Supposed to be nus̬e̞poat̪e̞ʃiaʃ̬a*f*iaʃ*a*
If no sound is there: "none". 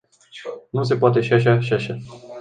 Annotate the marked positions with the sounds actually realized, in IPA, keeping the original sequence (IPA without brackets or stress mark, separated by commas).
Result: ʃ, a